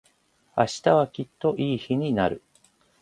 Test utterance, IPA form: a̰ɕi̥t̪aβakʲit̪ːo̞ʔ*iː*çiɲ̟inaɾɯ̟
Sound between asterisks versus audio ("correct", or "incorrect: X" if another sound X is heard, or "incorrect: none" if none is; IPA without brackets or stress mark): correct